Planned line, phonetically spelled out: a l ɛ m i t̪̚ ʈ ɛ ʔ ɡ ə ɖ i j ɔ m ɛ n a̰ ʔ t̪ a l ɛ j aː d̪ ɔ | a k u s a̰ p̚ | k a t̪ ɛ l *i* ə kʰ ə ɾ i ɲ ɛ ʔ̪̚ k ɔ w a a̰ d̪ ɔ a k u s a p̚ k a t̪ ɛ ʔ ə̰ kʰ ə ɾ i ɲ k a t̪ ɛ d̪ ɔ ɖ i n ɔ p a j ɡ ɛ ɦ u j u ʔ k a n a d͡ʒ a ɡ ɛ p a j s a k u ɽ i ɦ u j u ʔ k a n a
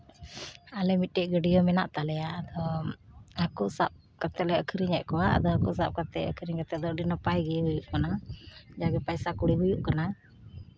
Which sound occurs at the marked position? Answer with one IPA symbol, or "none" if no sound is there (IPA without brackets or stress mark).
ɛ